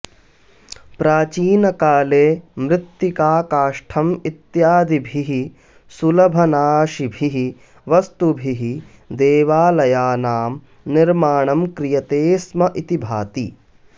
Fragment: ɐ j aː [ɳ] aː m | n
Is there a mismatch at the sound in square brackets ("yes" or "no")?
yes